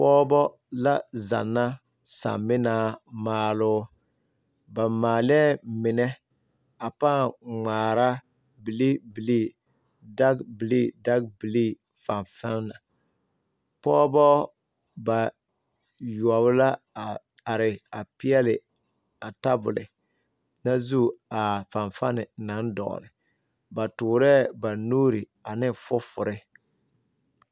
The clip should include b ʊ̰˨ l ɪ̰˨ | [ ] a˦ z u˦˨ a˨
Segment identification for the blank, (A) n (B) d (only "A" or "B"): A